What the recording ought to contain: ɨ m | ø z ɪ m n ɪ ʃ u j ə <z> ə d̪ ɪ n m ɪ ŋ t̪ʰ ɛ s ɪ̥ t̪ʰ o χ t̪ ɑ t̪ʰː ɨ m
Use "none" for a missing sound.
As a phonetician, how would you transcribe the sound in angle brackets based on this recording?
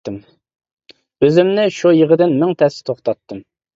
ʁ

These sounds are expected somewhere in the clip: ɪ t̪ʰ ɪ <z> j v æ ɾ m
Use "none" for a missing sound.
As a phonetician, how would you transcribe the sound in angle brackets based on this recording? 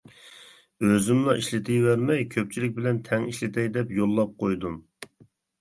none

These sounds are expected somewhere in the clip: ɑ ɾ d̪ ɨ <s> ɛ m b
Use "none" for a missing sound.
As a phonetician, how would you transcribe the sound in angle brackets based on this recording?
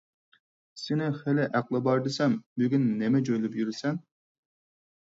s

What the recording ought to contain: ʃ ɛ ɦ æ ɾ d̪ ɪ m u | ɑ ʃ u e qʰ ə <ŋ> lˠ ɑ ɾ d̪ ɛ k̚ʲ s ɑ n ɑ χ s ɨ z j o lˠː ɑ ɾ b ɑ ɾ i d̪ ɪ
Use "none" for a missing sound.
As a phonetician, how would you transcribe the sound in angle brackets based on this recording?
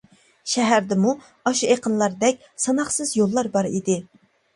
n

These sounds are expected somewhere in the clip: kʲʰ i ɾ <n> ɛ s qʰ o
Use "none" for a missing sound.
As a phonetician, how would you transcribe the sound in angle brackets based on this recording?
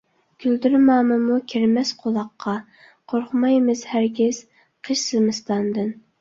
m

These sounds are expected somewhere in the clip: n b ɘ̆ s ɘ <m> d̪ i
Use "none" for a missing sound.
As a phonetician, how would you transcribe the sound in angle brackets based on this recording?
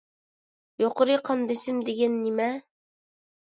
m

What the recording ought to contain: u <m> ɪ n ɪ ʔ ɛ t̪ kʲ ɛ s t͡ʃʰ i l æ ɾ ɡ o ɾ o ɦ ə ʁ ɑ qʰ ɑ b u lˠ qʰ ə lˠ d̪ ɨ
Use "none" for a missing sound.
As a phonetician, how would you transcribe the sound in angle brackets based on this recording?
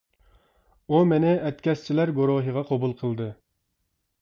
m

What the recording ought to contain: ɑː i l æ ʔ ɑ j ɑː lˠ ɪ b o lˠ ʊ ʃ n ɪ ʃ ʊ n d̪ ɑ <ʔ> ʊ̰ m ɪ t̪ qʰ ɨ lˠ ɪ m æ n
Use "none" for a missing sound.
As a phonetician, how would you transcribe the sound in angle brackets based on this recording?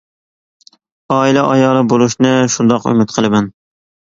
q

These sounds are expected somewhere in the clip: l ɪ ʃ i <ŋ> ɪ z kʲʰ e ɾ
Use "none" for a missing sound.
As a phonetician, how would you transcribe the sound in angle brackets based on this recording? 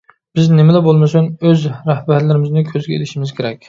m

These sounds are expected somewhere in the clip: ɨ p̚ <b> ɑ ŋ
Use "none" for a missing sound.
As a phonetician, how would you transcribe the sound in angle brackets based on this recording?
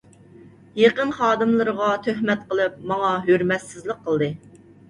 m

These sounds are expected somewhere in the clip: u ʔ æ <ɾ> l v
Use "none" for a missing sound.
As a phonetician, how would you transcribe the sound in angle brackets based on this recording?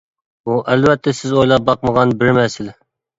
none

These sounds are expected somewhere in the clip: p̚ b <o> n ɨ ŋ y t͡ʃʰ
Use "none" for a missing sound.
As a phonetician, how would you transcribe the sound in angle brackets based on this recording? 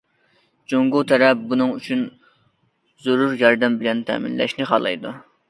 u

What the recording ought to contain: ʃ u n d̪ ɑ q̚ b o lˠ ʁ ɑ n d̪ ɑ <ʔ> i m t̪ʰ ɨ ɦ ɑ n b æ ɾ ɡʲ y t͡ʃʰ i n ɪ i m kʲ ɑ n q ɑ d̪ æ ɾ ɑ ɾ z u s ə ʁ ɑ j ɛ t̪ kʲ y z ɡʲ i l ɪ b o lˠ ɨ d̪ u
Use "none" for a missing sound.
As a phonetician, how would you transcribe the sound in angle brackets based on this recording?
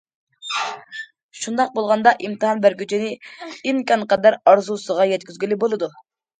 ʔ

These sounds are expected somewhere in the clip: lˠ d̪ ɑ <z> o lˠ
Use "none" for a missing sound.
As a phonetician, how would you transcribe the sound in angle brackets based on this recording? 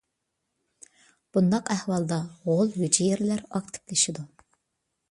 ʁ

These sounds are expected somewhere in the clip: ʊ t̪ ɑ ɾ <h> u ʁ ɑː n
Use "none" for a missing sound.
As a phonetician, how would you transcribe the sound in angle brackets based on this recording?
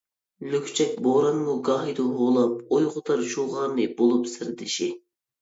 ʃ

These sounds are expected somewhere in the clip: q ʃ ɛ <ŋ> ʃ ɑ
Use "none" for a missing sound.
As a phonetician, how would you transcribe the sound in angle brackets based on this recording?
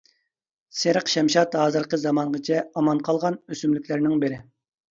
m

